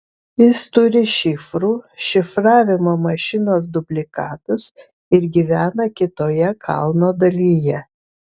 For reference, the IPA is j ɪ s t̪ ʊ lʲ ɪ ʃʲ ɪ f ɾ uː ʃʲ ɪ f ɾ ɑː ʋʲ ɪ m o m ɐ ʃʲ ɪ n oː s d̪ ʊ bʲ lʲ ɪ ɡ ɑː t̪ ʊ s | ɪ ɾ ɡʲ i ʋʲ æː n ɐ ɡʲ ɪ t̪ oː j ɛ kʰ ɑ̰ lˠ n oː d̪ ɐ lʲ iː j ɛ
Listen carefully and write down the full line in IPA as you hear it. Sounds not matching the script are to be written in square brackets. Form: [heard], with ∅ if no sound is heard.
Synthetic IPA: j ɪ s t̪ ʊ [ɾʲ] ɪ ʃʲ ɪ f ɾ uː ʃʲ ɪ f ɾ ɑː ʋʲ ɪ m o m ɐ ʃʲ ɪ n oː s d̪ ʊ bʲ lʲ ɪ [k] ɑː t̪ ʊ s | ɪ ɾ ɡʲ i ʋʲ æː n ɐ [kʲ] ɪ t̪ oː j ɛ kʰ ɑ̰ lˠ n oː d̪ ɐ lʲ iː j ɛ

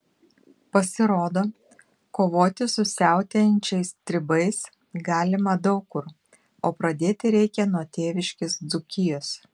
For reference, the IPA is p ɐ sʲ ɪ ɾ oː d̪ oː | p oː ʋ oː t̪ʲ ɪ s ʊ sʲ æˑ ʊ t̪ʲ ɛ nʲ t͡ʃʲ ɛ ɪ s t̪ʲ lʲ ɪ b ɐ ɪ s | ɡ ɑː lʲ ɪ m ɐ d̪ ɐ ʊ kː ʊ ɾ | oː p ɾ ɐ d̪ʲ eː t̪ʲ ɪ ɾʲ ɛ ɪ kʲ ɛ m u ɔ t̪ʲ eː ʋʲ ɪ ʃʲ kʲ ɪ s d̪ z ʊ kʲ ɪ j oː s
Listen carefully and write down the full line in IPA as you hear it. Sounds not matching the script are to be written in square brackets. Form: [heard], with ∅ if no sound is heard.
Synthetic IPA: p ɐ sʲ ɪ ɾ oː d̪ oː | [k] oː ʋ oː t̪ʲ ɪ s ʊ sʲ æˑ ʊ t̪ʲ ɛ nʲ t͡ʃʲ ɛ ɪ s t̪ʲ [ɾʲ] ɪ b ɐ ɪ s | ɡ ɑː lʲ ɪ m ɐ d̪ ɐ ʊ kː ʊ ɾ | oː p ɾ ɐ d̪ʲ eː t̪ʲ ɪ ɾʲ ɛ ɪ kʲ ɛ [n] u ɔ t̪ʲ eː ʋʲ ɪ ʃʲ kʲ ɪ s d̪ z ʊ kʲ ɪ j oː s

